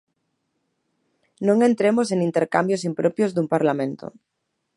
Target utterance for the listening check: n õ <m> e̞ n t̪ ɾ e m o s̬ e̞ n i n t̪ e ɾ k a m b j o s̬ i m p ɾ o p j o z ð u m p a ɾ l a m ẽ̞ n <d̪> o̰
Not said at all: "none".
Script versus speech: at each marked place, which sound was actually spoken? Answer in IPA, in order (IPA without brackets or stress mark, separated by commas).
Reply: ŋ, t̪